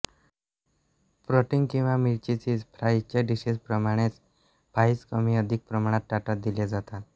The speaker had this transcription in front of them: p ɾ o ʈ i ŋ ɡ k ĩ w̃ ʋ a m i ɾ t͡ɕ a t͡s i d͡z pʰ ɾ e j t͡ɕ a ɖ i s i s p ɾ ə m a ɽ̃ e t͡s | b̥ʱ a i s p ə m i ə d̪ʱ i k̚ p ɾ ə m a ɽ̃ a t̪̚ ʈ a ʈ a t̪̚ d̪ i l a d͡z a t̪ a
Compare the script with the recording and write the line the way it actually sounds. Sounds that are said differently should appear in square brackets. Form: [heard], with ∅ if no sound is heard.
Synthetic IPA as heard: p ɾ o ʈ i ŋ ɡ k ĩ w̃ ʋ a m i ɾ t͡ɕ [i] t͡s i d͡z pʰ ɾ [a] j t͡ɕ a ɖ i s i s p ɾ ə m a ɽ̃ e t͡s | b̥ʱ a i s [k] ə m i ə d̪ʱ i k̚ p ɾ ə m a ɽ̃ a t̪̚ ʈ a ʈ a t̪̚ d̪ i l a d͡z a t̪ a